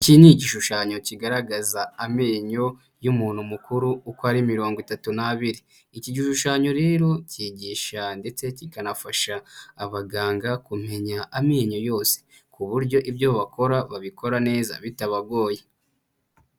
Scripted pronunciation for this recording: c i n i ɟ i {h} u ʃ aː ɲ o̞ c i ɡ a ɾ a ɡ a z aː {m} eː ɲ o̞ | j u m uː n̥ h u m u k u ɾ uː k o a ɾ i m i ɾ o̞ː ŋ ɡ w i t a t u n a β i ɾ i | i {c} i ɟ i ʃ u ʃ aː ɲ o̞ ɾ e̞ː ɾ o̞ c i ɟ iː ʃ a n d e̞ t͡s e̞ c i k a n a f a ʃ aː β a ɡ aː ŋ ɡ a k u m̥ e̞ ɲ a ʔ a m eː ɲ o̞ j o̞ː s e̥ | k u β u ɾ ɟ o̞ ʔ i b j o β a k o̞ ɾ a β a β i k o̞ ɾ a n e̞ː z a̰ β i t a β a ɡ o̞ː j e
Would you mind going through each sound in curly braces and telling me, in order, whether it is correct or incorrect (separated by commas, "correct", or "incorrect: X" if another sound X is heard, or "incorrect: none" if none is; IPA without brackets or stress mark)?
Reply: incorrect: ʃ, correct, correct